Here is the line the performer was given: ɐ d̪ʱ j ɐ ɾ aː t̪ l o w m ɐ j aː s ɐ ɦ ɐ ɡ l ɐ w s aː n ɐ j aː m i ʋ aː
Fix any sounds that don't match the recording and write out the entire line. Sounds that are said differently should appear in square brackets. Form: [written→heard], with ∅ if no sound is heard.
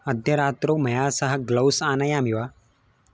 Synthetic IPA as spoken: ɐ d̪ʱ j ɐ ɾ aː t̪ [l→ɾ] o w m ɐ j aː s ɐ ɦ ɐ ɡ l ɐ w s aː n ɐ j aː m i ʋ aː

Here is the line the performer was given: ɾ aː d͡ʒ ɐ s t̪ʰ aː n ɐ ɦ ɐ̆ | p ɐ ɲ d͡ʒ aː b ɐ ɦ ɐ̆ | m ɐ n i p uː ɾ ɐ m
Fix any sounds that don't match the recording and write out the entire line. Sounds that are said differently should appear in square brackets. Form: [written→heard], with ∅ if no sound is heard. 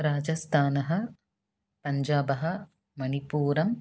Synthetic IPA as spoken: ɾ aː d͡ʒ ɐ s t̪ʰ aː n ɐ ɦ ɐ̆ | p ɐ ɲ d͡ʒ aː b ɐ ɦ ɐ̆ | m ɐ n i p uː ɾ ɐ m

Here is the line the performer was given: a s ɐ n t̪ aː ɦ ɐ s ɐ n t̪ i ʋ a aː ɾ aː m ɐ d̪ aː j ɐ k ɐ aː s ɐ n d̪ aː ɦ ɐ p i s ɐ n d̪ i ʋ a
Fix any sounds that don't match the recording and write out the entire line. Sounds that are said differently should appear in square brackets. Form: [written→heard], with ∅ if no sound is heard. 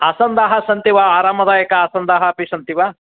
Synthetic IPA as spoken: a s ɐ n [t̪→d̪] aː ɦ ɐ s ɐ n t̪ i ʋ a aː ɾ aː m ɐ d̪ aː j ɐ k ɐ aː s ɐ n d̪ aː ɦ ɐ p i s ɐ n [d̪→t̪] i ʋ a

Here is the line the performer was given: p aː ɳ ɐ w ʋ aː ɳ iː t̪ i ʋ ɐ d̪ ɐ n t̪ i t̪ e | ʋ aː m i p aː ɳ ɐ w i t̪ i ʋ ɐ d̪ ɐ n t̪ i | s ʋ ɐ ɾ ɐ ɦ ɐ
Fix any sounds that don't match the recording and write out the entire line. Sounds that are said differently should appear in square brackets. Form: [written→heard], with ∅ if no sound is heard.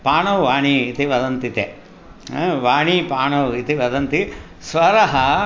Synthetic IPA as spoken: p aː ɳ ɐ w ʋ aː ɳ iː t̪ i ʋ ɐ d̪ ɐ n t̪ i t̪ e | ʋ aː [m→ɳ] i p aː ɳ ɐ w i t̪ i ʋ ɐ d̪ ɐ n t̪ i | s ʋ ɐ ɾ ɐ ɦ ɐ

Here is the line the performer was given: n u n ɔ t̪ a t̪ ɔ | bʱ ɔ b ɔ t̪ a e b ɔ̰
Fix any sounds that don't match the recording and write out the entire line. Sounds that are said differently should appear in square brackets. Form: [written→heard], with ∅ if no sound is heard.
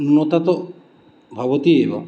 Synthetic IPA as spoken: n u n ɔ t̪ a t̪ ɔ | bʱ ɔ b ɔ t̪ [a→i] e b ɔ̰

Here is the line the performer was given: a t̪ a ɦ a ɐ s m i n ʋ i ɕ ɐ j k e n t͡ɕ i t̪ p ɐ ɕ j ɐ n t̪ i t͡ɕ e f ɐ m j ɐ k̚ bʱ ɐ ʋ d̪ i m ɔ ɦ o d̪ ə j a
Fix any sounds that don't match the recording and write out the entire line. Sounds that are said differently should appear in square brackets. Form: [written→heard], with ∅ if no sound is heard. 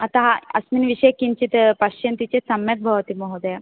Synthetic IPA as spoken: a t̪ a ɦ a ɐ s m i n ʋ i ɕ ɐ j k [e→i] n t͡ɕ i t̪ p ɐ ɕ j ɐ n t̪ i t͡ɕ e [f→s] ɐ m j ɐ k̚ bʱ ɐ ʋ [d̪→t̪] i m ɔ ɦ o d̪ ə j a

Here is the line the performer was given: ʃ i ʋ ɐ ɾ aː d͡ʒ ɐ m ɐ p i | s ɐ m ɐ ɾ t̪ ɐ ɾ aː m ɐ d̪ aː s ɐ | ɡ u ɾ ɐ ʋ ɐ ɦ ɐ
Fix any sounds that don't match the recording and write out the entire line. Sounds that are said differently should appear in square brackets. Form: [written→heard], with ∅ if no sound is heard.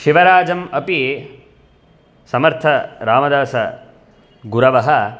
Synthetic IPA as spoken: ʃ i ʋ ɐ ɾ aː d͡ʒ ɐ m ɐ p i | s ɐ m ɐ ɾ [t̪→t̪ʰ] ɐ ɾ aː m ɐ d̪ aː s ɐ | ɡ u ɾ ɐ ʋ ɐ ɦ ɐ

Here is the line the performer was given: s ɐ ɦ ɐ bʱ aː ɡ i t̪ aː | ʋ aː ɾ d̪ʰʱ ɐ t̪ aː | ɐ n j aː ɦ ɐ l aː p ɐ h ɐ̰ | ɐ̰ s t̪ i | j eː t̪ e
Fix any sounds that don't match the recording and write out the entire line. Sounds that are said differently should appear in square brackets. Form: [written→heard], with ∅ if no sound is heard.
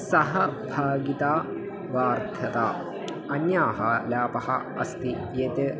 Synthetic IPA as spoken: s ɐ ɦ ɐ bʱ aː ɡ i t̪ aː | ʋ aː ɾ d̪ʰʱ ɐ t̪ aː | ɐ n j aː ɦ ɐ l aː p ɐ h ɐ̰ | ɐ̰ s t̪ i | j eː t̪ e

